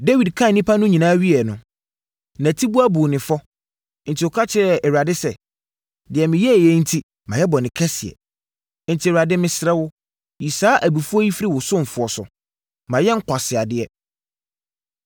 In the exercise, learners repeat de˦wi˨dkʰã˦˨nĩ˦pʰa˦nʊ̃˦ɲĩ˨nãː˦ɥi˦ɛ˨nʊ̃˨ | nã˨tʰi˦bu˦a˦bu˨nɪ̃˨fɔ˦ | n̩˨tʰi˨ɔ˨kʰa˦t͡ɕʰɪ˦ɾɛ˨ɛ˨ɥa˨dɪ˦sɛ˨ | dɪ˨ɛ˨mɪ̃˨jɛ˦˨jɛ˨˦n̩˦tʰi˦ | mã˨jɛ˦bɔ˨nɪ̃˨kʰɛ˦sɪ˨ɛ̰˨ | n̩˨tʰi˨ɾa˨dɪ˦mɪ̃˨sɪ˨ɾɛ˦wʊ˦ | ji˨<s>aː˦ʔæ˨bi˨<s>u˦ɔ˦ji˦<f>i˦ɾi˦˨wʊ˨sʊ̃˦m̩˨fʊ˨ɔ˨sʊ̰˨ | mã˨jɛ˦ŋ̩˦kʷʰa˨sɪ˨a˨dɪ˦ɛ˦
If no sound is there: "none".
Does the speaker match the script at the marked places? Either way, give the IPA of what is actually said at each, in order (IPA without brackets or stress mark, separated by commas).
s, f, f